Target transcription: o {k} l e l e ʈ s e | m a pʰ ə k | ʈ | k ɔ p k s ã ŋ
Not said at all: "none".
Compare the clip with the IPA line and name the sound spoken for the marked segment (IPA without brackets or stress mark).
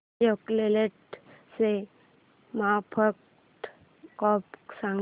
k